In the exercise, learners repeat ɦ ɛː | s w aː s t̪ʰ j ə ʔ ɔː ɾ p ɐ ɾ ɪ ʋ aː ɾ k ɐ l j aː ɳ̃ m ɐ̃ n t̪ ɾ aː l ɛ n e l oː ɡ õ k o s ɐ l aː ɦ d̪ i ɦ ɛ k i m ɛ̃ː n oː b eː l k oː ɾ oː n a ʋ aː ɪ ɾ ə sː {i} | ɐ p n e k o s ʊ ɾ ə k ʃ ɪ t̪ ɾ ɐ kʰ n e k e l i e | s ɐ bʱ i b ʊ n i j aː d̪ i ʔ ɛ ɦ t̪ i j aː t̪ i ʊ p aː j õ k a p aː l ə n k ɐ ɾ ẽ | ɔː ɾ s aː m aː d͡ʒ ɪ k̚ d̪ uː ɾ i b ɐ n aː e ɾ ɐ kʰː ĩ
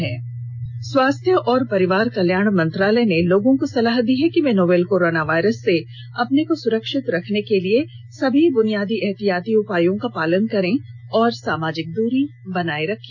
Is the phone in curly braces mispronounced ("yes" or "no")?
yes